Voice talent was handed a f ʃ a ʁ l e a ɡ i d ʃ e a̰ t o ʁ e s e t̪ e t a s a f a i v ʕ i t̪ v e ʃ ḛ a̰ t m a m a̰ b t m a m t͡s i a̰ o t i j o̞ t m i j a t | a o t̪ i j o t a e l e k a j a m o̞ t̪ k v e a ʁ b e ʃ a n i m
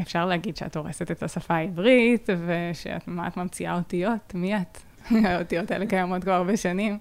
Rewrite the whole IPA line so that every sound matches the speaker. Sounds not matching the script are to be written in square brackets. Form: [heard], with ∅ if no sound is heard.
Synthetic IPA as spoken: [e] f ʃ a ʁ l e a ɡ i d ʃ e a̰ t o ʁ e s e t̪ e t a s a f a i v [ʁ] i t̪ v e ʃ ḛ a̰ t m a m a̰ [∅] t m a m t͡s i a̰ o t i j o̞ t m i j a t | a o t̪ i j o t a e l e k a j a m o̞ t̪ k v [a] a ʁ b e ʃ a n i m